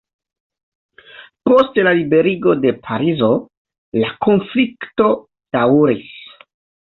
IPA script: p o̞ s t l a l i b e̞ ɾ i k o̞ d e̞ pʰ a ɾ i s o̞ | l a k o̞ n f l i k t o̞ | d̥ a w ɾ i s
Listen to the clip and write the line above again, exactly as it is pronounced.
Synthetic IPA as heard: p o̞ s t l a l i b e̞ ɾ i ɡ o̞ d e̞ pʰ a ɾ i z o̞ | l a k o̞ n f l i k t o̞ | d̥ a w ɾ i s